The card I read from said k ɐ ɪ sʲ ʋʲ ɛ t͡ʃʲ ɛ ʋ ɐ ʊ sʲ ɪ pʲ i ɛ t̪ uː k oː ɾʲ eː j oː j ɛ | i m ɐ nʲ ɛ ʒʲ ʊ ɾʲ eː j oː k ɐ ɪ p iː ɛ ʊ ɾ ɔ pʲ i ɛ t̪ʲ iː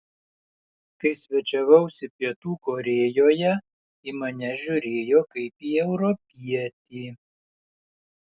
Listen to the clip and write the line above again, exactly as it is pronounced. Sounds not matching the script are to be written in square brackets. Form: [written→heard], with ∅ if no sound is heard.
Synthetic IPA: k ɐ ɪ sʲ ʋʲ ɛ t͡ʃʲ ɛ ʋ ɐ ʊ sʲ ɪ pʲ i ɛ t̪ uː k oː ɾʲ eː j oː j ɛ | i m ɐ nʲ ɛ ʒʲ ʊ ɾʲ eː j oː k ɐ ɪ p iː ɛ ʊ ɾ ɔ pʲ i ɛ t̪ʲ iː